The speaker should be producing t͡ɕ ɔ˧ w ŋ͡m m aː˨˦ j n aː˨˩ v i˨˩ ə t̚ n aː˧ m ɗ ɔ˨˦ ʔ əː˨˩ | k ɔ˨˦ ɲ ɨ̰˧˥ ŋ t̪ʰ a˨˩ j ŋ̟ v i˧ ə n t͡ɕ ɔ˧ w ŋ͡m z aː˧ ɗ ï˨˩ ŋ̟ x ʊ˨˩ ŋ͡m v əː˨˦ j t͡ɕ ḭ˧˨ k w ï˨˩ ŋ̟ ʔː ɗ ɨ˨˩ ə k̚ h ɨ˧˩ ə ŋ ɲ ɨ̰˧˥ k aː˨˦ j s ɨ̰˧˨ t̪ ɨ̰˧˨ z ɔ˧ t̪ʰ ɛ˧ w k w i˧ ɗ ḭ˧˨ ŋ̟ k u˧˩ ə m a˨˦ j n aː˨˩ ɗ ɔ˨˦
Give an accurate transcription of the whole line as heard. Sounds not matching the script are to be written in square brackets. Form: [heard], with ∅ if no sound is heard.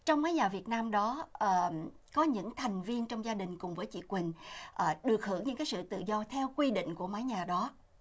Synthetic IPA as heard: t͡ɕ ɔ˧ w ŋ͡m m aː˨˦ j [ɲ] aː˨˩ v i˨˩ ə t̚ n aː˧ m ɗ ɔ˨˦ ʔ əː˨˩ | k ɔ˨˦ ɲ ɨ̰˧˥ ŋ t̪ʰ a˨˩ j ŋ̟ v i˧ ə n t͡ɕ ɔ˧ w ŋ͡m z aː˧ ɗ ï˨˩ ŋ̟ [k] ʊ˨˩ ŋ͡m v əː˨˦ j t͡ɕ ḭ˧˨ k w ï˨˩ ŋ̟ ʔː ɗ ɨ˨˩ ə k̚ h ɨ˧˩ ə ŋ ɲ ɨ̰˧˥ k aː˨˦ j s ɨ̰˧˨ t̪ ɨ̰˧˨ z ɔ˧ t̪ʰ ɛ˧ w k w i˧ ɗ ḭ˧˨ ŋ̟ k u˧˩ ə m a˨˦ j [ɲ] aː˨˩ ɗ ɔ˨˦